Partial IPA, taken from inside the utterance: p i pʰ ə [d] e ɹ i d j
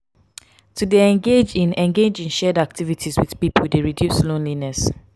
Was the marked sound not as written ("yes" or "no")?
no